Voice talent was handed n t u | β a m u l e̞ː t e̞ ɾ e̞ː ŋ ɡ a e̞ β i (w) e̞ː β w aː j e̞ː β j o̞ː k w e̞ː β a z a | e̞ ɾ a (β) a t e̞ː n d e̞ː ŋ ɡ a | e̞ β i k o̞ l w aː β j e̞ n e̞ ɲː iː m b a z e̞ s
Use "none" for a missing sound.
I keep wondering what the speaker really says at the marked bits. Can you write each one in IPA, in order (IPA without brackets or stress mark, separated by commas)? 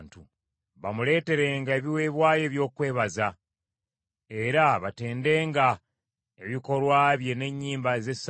w, β